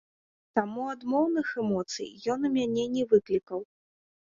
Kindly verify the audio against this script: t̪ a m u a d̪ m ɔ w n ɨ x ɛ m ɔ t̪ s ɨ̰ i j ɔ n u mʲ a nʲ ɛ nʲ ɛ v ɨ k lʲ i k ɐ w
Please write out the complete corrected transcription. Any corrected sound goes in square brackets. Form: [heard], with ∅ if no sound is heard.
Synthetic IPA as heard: t̪ a m u a d̪ m ɔ w n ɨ x ɛ m ɔ t̪ s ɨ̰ [j] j ɔ n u mʲ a nʲ ɛ nʲ ɛ v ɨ k lʲ i k ɐ w